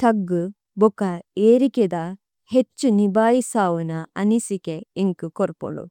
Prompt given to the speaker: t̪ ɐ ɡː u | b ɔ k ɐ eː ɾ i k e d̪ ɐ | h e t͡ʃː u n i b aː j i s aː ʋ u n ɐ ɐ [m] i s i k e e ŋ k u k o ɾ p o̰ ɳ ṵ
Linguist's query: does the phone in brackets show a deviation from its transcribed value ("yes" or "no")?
yes